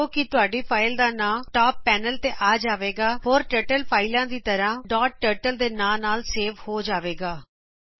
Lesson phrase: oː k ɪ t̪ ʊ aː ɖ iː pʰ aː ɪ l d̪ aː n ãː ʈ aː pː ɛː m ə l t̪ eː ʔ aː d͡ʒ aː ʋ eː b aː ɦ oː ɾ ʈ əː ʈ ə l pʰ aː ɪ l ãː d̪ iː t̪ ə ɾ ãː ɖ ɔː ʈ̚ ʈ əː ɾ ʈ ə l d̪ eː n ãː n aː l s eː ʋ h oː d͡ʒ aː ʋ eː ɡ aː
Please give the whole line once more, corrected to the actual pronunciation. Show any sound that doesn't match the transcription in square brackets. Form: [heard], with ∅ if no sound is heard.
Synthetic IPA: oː k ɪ t̪ ʊ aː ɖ iː pʰ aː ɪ l d̪ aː n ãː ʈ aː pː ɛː [n] ə l t̪ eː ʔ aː d͡ʒ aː ʋ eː [ɡ] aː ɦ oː ɾ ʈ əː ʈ ə l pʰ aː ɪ l ãː d̪ iː t̪ ə ɾ ãː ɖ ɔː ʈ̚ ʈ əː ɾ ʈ ə l d̪ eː n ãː n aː l s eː ʋ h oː d͡ʒ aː ʋ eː ɡ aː